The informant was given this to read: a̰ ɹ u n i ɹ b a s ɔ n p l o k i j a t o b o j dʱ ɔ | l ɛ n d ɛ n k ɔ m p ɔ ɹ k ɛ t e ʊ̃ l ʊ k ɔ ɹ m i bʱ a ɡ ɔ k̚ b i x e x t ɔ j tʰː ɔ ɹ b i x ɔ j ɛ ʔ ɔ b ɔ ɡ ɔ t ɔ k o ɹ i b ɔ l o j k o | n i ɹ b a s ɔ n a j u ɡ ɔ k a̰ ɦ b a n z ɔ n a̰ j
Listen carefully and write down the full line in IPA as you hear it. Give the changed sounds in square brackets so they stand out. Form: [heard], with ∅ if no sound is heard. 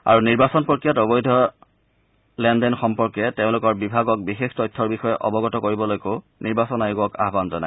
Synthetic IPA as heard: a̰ ɹ u n i ɹ b a s ɔ n p [ɹ] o k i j a t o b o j dʱ ɔ | l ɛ n d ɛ n [x] ɔ m p ɔ ɹ k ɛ t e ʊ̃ l ʊ k ɔ ɹ [b] i bʱ a ɡ ɔ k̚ b i x e x t ɔ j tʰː ɔ ɹ b i x ɔ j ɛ ʔ ɔ b ɔ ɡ ɔ t ɔ k o ɹ i b ɔ l o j k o | n i ɹ b a s ɔ n a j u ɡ ɔ k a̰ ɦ b a n z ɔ n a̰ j